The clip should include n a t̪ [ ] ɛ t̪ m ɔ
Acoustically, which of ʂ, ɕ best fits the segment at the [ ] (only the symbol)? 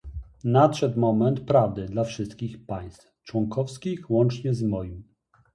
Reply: ʂ